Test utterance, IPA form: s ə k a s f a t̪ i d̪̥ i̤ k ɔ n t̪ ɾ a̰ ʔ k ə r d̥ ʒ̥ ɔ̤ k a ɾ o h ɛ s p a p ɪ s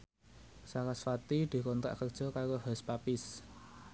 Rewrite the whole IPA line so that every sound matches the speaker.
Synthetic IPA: s a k a s f a t̪ i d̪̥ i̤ k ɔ n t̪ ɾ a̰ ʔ k ə r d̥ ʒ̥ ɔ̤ k a ɾ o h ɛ s p a p ɪ s

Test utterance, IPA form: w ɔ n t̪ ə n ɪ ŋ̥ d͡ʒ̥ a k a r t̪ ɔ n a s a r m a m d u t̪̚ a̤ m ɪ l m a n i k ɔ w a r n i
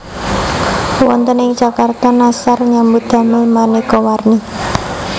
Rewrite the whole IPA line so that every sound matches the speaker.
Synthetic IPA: w ɔ n t̪ ə n ɪ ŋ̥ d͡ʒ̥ a k a r t̪ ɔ n a s a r ɲ a m b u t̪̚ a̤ m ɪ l m a n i k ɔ w a r n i

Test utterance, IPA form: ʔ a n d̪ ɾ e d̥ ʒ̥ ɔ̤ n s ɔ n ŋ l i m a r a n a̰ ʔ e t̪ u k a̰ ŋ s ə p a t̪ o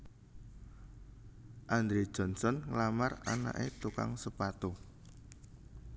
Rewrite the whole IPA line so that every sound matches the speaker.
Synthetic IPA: ʔ a n d̪ ɾ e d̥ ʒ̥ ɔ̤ n s ɔ n ŋ l a m a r a n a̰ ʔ e t̪ u k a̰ ŋ s ə p a t̪ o

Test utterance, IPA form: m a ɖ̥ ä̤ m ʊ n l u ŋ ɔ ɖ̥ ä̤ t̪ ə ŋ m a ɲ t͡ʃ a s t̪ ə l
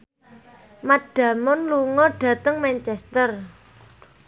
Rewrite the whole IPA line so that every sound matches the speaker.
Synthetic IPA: m a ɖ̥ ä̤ m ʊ n l u ŋ ɔ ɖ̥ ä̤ t̪ ə ŋ m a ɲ t͡ʃ ɛ s t̪ ə r

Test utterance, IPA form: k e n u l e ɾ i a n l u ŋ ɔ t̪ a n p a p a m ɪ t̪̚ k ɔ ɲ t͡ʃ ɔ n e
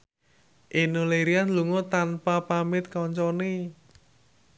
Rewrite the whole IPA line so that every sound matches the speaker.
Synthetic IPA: ʔ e n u l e ɾ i a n l u ŋ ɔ t̪ a n p a p a m ɪ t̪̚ k ɔ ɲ t͡ʃ ɔ n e

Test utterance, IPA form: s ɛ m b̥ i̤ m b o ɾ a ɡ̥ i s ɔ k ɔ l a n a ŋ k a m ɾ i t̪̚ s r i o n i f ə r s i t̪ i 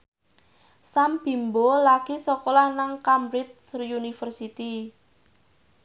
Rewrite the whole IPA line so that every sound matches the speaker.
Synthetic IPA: s a m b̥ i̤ m b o l a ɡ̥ i s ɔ k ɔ l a n a ŋ k a m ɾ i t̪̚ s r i u n i f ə r s i t̪ i

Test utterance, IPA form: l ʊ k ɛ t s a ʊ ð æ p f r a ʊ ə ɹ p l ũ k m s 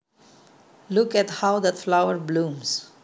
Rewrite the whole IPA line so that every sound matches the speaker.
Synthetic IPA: l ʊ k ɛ t h a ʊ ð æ t f l a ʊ ə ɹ b l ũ m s

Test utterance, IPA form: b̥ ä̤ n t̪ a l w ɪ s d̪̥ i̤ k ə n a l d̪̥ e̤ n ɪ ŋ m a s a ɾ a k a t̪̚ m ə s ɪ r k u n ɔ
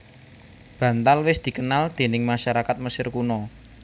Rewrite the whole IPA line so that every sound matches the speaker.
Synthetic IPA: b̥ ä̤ n t̪ a l w ɪ s d̪̥ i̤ k ə n a l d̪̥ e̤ n ɪ ŋ m a ʃ a ɾ a k a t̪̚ m ə s ɪ r k u n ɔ

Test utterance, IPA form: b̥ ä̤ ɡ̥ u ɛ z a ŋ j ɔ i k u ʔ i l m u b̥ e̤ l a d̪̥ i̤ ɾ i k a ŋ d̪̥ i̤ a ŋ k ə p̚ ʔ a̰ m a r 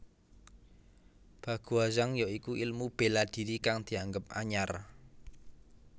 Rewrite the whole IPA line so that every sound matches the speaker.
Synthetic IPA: b̥ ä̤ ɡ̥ u a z a ŋ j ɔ i k u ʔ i l m u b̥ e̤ l a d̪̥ i̤ ɾ i k a ŋ d̪̥ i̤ a ŋ ɡ ə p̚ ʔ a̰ ɲ a r

